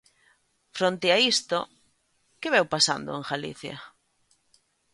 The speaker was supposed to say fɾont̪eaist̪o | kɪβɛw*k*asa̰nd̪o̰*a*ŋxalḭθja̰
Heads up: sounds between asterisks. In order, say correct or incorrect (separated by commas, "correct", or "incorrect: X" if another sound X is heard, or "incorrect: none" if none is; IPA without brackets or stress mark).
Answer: incorrect: p, incorrect: e